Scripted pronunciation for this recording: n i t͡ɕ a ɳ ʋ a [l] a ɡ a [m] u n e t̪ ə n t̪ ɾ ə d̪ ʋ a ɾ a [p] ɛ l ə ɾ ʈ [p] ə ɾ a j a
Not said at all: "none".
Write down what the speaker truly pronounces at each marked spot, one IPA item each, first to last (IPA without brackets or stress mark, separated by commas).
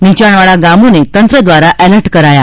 ɭ, m, ʔ, k